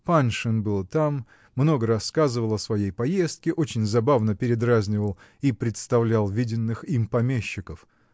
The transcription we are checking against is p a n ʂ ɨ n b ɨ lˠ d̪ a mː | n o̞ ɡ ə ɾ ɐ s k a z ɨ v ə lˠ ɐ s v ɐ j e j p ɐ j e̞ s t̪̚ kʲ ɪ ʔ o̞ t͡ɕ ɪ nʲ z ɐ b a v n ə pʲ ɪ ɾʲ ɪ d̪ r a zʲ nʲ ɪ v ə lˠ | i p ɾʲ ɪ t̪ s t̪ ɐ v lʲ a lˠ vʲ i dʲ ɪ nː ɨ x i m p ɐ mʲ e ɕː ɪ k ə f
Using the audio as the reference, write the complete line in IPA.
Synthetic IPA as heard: p a n ʂ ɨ n b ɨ lˠ t̪ a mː | n o̞ ɡ ə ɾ ɐ s k a z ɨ v ə lˠ ɐ s v ɐ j e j p ɐ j e̞ s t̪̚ kʲ ɪ ʔ o̞ t͡ɕ ɪ nʲ z ɐ b a v n ə pʲ ɪ ɾʲ ɪ d̪ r a zʲ nʲ ɪ v ə lˠ | i p ɾʲ ɪ t̪ s t̪ ɐ v lʲ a lˠ vʲ i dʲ ɪ nː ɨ x i m p ɐ mʲ e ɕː ɪ k ə f

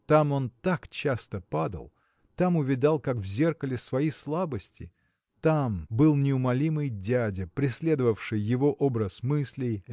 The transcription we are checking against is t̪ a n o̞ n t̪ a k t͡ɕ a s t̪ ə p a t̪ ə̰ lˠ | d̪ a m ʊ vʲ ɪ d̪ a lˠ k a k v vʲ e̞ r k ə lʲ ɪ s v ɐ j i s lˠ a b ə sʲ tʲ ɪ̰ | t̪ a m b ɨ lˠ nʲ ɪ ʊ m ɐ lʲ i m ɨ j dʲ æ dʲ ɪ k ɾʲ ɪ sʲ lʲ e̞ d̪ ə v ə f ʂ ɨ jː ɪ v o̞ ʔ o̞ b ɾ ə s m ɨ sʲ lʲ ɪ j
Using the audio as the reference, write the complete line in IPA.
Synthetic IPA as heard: t̪ a m o̞ n t̪ a k t͡ɕ a s t̪ ə p a d̪ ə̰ lˠ | t̪ a m ʊ vʲ ɪ d̪ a lˠ k a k v zʲ e̞ r k ə lʲ ɪ s v ɐ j i s lˠ a b ə sʲ tʲ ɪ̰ | t̪ a m b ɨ lˠ nʲ ɪ ʊ m ɐ lʲ i m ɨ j dʲ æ dʲ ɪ p ɾʲ ɪ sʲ lʲ e̞ d̪ ə v ə f ʂ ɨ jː ɪ v o̞ ʔ o̞ b ɾ ə s m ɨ sʲ lʲ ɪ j

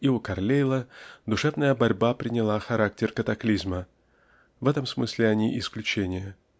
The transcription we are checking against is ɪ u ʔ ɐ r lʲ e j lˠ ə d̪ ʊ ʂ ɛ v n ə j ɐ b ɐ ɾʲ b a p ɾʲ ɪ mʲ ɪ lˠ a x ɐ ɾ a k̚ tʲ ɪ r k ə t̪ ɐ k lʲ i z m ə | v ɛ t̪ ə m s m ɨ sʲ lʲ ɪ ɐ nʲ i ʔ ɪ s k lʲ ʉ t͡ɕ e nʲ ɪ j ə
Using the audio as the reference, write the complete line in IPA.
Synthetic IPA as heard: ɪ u k ɐ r lʲ e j lˠ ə d̪ ʊ ʂ ɛ v n ə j ə b ɐ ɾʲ b a p ɾʲ ɪ nʲ ɪ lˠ a x ɐ ɾ a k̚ tʲ ɪ r k ə t̪ ɐ k lʲ i z m ə | v ɛ t̪ ə m s m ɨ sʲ lʲ ɪ ɐ nʲ i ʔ ɪ s k lʲ ʉ t͡ɕ e nʲ ɪ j ə

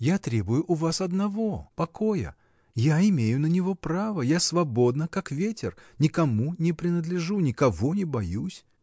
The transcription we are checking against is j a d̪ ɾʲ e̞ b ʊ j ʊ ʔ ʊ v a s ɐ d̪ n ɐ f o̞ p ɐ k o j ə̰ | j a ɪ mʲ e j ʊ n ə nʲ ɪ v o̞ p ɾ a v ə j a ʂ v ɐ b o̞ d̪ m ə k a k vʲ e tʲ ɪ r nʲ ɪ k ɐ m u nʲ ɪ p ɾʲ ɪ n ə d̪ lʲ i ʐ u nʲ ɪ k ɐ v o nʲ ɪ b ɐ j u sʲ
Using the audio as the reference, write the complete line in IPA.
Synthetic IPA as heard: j a t̪ ɾʲ e̞ b ʊ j ʊ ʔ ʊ v a s ɐ d̪ n ɐ v o̞ p ɐ k o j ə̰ | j a ɪ mʲ e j ʊ n ə nʲ ɪ v o̞ p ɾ a v ə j a s v ɐ b o̞ d̪ n ə k a k vʲ e tʲ ɪ r nʲ ɪ k ɐ m u nʲ ɪ p ɾʲ ɪ n ə d̪ lʲ ɪ ʐ u nʲ ɪ k ɐ v o nʲ ɪ b ɐ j u sʲ

